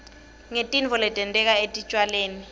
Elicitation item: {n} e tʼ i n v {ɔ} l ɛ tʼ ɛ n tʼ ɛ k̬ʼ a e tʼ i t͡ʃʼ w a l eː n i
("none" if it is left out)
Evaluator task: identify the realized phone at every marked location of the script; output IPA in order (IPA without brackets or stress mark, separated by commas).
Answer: ŋ, ɔ